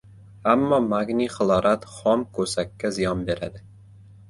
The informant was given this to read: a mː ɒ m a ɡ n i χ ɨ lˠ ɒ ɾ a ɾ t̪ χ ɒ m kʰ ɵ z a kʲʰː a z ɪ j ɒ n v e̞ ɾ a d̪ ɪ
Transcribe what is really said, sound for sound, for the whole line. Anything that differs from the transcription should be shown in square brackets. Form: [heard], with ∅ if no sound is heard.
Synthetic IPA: a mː ɒ m a ɡ n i χ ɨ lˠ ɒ ɾ a [∅] t̪ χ ɒ m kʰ ɵ [s] a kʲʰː a z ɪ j ɒ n [b] e̞ ɾ a d̪ ɪ

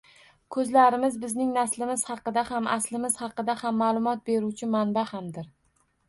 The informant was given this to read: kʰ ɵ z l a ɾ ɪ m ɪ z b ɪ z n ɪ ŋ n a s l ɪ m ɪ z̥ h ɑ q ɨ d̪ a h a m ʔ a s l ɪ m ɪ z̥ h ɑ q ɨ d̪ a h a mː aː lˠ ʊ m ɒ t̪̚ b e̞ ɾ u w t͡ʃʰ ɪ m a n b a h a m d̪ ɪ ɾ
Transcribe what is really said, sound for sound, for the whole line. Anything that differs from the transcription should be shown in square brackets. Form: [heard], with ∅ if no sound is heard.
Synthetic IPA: kʰ ɵ z l a ɾ ɪ m ɪ z b ɪ z n ɪ ŋ n a s l ɪ m ɪ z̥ h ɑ q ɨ d̪ a h a m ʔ a s l ɪ m ɪ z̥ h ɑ q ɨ d̪ a h a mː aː lˠ ʊ m ɒ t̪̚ b e̞ ɾ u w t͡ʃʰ ɪ m a n b a h a m d̪ ɪ ɾ

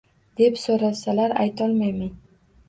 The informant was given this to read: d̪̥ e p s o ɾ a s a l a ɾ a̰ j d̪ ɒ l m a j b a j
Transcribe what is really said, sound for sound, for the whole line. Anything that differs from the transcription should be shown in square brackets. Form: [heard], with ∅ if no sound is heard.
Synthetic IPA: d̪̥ e p s o ɾ a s a l a ɾ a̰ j [t̪] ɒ l m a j [m] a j

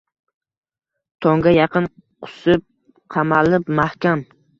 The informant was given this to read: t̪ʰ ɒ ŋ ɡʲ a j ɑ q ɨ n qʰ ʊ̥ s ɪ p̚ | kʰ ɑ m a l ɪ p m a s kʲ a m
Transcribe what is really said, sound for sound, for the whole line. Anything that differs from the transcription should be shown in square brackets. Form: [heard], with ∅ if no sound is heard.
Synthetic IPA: t̪ʰ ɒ ŋ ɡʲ a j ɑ q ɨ n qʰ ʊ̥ s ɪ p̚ | [qʰ] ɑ m a l ɪ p m a [h] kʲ a m

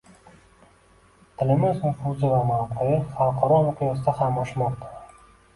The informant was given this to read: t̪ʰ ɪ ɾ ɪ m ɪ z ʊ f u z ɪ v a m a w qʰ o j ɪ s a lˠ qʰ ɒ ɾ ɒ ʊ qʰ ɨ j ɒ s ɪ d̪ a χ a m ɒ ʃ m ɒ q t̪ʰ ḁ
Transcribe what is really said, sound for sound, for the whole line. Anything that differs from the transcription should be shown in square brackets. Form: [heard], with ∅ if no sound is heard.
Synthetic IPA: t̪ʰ ɪ [l] ɪ m ɪ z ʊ f u z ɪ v a m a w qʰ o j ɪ [χ] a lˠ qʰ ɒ ɾ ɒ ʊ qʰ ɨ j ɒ s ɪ d̪ a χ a m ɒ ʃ m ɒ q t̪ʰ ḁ

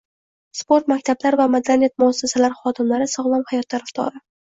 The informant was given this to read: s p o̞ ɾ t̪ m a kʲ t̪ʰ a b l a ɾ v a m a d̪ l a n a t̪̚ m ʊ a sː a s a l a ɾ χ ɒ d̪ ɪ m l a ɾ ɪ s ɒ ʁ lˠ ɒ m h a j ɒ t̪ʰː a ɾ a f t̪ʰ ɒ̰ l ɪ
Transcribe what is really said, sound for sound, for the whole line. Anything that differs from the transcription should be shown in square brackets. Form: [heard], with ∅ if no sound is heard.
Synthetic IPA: s p o̞ ɾ t̪ m a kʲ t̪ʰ a b l a ɾ v a m a d̪ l a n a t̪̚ m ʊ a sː a s a l a ɾ χ ɒ d̪ ɪ m l a ɾ ɪ s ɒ ʁ lˠ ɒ m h a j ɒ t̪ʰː a ɾ a f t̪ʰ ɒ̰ [ɾ] ɪ

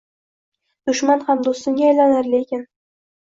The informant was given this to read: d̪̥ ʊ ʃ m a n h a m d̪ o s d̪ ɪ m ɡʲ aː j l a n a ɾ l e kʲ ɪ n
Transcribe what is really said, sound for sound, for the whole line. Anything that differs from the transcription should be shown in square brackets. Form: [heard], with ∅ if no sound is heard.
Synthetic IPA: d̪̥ ʊ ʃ m a n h a m d̪ o s [t̪] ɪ [ŋ] ɡʲ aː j l a n a ɾ l e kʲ ɪ n

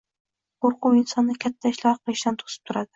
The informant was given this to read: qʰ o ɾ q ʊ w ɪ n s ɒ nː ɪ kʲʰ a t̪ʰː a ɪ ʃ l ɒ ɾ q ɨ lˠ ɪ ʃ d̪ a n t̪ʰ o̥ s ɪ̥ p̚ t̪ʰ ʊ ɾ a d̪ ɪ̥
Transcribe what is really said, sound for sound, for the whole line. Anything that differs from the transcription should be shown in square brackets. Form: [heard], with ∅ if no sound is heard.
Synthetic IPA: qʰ o ɾ q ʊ w ɪ n s ɒ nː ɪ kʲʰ a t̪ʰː a ɪ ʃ l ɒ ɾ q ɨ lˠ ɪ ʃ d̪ a n t̪ʰ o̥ s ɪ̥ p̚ t̪ʰ ʊ ɾ a d̪ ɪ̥

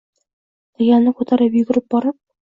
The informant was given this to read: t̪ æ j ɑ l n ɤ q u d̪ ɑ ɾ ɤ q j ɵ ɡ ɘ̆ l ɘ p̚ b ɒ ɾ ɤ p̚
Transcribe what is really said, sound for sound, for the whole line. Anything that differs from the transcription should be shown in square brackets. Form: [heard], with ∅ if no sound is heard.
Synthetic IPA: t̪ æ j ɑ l n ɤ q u [t̪] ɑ ɾ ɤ [p] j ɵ ɡ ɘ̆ [ɾ] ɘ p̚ b ɒ ɾ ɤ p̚

